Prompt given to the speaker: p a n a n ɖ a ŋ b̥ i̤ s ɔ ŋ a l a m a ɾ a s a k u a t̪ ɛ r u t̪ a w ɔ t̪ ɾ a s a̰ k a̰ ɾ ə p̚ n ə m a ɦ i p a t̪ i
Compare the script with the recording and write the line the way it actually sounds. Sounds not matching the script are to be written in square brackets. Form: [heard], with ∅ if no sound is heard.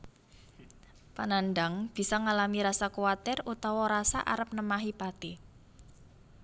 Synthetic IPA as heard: p a n a n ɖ a ŋ b̥ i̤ s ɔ ŋ a l a m [i] ɾ a s a k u a t̪ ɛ r u t̪ a w ɔ [∅] ɾ a s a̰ [ʔ] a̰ ɾ ə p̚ n ə m a ɦ i p a t̪ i